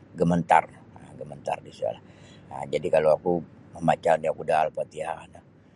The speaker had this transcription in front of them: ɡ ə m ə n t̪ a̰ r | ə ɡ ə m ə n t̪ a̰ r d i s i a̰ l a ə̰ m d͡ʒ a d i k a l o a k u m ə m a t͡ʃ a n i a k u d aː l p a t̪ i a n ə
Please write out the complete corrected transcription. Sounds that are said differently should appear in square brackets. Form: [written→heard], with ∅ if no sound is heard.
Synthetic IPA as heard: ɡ ə m ə n t̪ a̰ r | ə ɡ ə m ə n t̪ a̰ r d i s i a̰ l a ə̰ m d͡ʒ a d i k a l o a k u m ə m a t͡ʃ a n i a k u d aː l p a t̪ i a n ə